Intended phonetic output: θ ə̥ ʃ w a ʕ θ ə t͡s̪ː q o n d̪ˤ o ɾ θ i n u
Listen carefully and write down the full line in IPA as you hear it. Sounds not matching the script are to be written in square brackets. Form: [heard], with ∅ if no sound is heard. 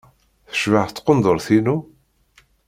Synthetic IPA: θ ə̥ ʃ [v] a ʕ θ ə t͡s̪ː q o n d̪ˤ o ɾ θ i n u